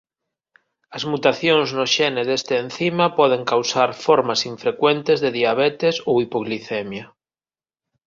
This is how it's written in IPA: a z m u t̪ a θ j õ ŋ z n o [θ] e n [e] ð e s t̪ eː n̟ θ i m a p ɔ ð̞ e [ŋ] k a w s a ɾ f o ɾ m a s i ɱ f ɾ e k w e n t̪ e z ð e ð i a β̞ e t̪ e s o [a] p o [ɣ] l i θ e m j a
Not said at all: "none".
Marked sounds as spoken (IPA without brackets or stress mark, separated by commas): ʃ, e, ŋ, i, ɣ